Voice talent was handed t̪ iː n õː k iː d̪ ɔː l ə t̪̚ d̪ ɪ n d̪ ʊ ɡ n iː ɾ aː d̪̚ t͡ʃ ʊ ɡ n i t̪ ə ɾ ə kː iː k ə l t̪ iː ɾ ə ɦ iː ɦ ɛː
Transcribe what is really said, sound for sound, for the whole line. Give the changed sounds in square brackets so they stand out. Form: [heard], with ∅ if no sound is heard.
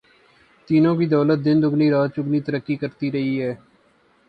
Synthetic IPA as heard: t̪ iː n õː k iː d̪ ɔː l ə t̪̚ d̪ ɪ n d̪ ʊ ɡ n iː ɾ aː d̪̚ t͡ʃ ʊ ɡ n [iː] t̪ ə ɾ ə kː iː k ə [ɾ] t̪ iː ɾ ə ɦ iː ɦ ɛː

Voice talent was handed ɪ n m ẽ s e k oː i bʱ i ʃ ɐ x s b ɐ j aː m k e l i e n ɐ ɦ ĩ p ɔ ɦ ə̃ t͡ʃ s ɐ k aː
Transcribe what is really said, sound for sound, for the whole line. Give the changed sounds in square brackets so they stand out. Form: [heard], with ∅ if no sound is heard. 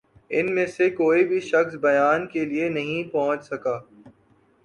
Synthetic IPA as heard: ɪ n m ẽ s e k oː i bʱ i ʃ ɐ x s b ɐ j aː [n] k e l i e n ɐ ɦ ĩ p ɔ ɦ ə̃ t͡ʃ s ɐ k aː

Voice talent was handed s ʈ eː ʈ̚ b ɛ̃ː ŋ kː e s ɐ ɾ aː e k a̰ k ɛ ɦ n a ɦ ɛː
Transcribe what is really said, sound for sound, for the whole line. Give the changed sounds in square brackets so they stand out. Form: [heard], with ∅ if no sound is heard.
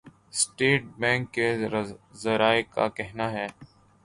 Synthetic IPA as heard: s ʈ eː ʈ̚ b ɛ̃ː ŋ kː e [z] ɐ ɾ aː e k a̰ k ɛ ɦ n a ɦ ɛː

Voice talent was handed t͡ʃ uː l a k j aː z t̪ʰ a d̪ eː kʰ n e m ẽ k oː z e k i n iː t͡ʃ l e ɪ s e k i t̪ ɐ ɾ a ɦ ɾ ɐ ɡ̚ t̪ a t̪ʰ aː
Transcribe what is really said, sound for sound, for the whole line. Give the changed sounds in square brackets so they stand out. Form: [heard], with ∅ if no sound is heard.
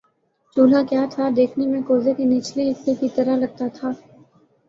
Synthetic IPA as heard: t͡ʃ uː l a k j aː [∅] t̪ʰ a d̪ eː kʰ n e m ẽ k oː z e k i n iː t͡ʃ l e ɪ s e k i t̪ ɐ ɾ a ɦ [l] ɐ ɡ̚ t̪ a t̪ʰ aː

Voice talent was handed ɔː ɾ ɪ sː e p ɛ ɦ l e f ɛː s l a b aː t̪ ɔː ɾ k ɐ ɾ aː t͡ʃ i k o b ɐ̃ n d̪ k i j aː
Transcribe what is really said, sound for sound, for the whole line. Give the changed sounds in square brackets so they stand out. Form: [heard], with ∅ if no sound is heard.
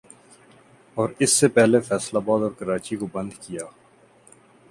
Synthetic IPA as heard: ɔː ɾ ɪ sː e p ɛ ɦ l e f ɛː s l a b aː [d̪] ɔː ɾ k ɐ ɾ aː t͡ʃ i k o b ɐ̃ n d̪ k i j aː

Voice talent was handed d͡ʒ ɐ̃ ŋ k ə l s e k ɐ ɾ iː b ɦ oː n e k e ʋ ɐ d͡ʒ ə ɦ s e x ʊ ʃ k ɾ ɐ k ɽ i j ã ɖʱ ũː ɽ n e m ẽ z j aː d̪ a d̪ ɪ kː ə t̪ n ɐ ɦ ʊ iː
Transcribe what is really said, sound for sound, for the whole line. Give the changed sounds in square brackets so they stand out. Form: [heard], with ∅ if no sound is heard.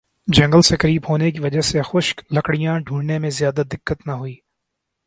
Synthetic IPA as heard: d͡ʒ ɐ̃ ŋ [ɡ] ə l s e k ɐ ɾ iː b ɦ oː n e k [i] ʋ ɐ d͡ʒ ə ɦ s e x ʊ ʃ k [l] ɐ k ɽ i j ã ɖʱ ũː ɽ n e m ẽ z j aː d̪ a d̪ ɪ kː ə t̪ n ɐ ɦ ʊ iː

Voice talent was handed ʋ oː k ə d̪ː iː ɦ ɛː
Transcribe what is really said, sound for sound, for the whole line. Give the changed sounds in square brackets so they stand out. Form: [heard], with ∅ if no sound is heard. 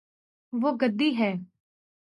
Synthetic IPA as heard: ʋ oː [ɡ] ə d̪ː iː ɦ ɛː

